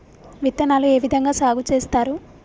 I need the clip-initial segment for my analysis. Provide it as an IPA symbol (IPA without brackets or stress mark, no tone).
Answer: ʋ